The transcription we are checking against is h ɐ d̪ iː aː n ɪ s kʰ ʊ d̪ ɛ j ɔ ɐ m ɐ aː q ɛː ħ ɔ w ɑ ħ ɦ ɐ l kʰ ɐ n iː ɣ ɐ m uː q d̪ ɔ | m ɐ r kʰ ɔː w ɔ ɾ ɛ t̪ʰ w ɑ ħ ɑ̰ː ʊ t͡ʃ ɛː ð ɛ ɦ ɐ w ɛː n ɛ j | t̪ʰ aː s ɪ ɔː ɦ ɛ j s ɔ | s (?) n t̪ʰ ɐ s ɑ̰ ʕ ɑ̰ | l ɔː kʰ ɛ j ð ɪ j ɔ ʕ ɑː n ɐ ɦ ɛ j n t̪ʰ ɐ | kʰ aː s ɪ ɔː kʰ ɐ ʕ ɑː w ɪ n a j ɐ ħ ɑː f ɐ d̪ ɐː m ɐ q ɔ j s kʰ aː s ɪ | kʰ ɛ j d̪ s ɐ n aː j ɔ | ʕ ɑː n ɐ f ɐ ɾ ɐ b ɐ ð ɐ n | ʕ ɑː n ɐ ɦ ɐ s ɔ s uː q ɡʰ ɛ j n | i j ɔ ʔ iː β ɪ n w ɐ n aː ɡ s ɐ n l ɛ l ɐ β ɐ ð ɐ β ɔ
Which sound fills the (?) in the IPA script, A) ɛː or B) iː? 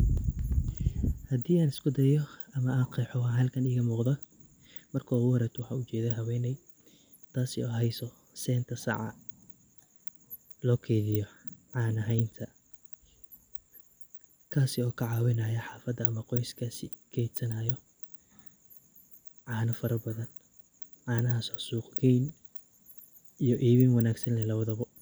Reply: A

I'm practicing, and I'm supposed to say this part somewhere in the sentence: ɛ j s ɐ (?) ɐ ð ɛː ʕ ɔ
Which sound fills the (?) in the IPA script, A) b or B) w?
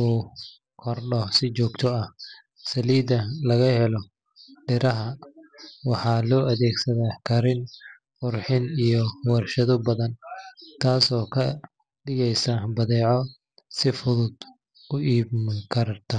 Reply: A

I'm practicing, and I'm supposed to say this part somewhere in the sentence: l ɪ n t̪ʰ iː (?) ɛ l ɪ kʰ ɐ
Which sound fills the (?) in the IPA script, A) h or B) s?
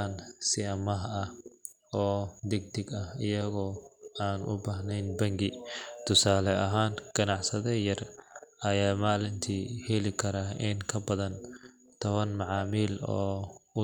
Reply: A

